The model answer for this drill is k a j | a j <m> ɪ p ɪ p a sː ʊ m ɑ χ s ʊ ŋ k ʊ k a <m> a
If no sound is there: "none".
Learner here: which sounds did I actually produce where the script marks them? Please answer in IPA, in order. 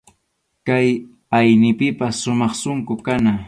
n, n

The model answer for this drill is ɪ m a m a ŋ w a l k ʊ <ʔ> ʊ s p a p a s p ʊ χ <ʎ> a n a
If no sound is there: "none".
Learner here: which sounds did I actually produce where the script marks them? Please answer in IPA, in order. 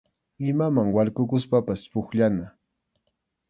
k, ʎ

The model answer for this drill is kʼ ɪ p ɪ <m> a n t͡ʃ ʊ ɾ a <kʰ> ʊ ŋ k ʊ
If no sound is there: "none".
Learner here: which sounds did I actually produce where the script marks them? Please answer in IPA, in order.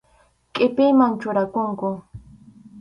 m, k

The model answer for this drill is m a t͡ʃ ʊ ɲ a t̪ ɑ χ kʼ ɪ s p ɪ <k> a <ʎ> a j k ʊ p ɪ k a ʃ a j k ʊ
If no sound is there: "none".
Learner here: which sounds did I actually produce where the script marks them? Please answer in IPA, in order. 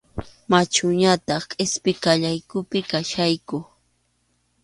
k, ʎ

